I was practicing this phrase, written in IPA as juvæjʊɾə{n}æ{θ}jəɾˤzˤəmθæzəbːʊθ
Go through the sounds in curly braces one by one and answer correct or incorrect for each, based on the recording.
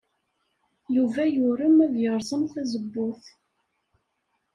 incorrect: m, incorrect: ð

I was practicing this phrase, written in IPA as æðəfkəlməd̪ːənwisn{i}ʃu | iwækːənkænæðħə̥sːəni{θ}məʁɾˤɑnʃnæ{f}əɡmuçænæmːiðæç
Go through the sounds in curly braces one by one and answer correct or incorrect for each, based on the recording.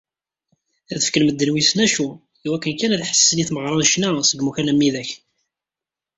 incorrect: æ, correct, incorrect: s

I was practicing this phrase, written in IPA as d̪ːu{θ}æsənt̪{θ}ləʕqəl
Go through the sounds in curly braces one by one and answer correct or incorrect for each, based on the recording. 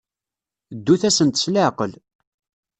correct, incorrect: s

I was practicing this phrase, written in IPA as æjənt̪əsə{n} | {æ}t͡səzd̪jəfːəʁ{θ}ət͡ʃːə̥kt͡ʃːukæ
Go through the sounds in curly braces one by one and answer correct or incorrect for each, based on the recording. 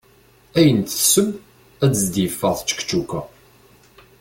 incorrect: m, correct, correct

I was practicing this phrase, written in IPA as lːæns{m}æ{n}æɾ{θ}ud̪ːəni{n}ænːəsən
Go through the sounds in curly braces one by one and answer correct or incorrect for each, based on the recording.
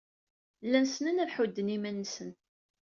incorrect: n, correct, incorrect: ħ, incorrect: m

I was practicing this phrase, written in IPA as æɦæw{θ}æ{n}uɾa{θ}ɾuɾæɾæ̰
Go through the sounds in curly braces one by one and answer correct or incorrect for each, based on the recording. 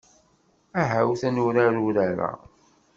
correct, correct, incorrect: none

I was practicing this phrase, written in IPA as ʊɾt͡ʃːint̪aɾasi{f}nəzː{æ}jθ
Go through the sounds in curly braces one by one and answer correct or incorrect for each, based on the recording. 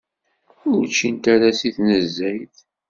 incorrect: θ, correct

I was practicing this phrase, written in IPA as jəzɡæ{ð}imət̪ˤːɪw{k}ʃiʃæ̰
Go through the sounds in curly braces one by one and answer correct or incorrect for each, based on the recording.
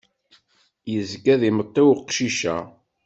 correct, incorrect: q

